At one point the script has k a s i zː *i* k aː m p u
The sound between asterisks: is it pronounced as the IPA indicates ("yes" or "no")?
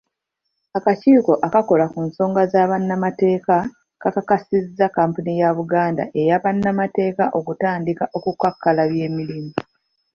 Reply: no